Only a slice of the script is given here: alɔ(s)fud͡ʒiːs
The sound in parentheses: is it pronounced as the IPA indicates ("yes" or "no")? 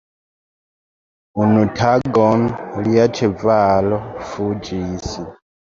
no